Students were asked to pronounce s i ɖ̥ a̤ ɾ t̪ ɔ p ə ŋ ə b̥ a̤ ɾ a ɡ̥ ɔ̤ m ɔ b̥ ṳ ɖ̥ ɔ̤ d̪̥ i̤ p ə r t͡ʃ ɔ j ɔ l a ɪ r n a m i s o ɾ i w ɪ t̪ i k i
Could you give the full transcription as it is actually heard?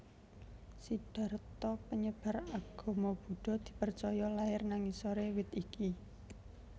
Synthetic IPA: s i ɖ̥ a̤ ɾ t̪ ɔ p ə ɲ ə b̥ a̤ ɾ a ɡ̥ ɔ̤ m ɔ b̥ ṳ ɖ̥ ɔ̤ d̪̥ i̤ p ə r t͡ʃ ɔ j ɔ l a ɪ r n a ŋ i s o ɾ e w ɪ t̪ i k i